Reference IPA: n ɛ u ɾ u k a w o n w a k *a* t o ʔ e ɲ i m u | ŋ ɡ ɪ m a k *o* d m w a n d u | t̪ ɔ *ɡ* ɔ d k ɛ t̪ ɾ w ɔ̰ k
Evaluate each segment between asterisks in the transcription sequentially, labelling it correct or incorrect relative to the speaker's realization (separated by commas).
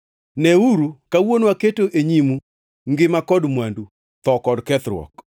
incorrect, incorrect, incorrect